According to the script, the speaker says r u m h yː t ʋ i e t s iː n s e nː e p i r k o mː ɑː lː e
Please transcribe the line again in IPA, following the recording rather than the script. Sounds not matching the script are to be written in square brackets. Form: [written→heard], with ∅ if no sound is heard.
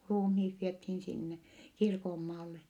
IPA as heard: r [u→uː] m h [yː→iː] t ʋ i e t [s→h] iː n s [e→i] nː e [p→k] i r k o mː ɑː lː e